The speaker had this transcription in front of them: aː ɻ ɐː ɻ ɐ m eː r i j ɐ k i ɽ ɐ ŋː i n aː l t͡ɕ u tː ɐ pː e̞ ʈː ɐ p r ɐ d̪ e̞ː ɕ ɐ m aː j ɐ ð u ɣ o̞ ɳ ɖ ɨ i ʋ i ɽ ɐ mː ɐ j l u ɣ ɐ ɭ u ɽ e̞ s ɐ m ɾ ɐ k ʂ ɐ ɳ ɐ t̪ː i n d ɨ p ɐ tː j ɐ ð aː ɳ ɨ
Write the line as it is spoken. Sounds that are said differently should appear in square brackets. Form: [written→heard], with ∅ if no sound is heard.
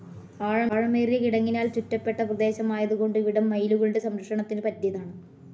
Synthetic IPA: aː ɻ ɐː ɻ ɐ m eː r i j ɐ k i ɽ ɐ ŋː i n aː l t͡ɕ u tː ɐ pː e̞ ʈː ɐ p r ɐ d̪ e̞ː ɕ ɐ m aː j ɐ ð u ɣ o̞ ɳ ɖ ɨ i ʋ i ɽ ɐ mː ɐ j l u ɣ ɐ ɭ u ɽ e̞ s ɐ m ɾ ɐ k ʂ ɐ ɳ ɐ t̪ː i n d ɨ p ɐ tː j ɐ ð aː ɳ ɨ